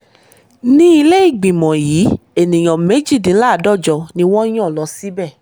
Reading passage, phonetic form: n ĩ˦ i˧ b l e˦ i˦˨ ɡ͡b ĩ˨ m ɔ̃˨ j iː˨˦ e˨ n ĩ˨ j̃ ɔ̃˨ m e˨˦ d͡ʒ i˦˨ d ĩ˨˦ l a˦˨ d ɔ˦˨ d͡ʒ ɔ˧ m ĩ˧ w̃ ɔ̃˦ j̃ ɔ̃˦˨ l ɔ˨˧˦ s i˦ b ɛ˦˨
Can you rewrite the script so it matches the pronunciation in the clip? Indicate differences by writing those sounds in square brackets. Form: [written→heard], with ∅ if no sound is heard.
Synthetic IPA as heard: n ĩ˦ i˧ [b→∅] l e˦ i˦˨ ɡ͡b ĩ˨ m ɔ̃˨ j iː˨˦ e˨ n ĩ˨ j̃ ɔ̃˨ m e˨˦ d͡ʒ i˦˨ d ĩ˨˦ l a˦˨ d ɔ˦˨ d͡ʒ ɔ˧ [m→n] ĩ˧ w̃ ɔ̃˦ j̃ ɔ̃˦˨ l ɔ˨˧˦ s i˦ b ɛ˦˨